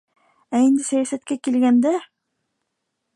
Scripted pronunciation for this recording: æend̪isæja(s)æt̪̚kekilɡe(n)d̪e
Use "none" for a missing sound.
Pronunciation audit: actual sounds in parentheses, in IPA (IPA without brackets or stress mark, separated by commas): s, n